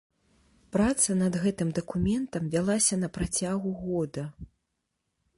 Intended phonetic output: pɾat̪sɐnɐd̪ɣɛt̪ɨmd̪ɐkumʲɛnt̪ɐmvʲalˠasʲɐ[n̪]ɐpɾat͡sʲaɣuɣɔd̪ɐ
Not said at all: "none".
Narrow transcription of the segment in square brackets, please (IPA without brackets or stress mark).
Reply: n̪